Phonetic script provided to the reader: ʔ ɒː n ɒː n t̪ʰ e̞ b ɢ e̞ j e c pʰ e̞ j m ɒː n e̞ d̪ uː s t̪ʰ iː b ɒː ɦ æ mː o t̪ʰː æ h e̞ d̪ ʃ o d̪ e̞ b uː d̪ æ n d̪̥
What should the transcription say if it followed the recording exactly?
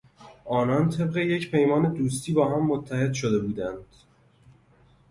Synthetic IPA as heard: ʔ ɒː n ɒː n t̪ʰ e̞ b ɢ e̞ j e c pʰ e̞ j m ɒː n e̞ d̪ uː s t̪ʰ iː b ɒː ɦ æ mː o t̪ʰː æ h e̞ d̪ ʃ o d̪ e̞ b uː d̪ æ n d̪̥